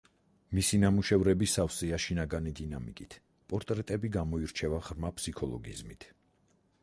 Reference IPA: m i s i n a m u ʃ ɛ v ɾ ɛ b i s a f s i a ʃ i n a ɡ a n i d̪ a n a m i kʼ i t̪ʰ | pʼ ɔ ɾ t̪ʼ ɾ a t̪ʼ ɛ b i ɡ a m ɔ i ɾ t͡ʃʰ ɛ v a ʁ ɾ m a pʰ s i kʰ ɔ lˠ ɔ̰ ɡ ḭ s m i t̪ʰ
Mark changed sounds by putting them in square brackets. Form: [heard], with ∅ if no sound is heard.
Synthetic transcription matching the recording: m i s i n a m u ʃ ɛ v ɾ ɛ b i s a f s i a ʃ i n a ɡ a n i d̪ [i] n a m i kʼ i t̪ʰ | pʼ ɔ ɾ t̪ʼ ɾ [ɛ] t̪ʼ ɛ b i ɡ a m ɔ i ɾ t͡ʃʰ ɛ v a ʁ ɾ m a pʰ s i kʰ ɔ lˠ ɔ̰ ɡ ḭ [z] m i t̪ʰ